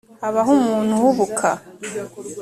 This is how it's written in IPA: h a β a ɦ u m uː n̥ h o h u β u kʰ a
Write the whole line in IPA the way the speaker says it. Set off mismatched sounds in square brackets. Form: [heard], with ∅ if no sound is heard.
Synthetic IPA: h a β a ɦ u m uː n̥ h [u] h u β u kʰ a